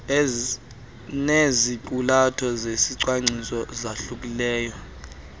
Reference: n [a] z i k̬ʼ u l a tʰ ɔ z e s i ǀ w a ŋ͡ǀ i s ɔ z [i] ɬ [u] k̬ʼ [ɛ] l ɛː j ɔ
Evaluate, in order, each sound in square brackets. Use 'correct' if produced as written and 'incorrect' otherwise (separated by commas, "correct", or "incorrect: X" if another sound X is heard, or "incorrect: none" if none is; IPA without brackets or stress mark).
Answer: incorrect: e, incorrect: a, correct, incorrect: i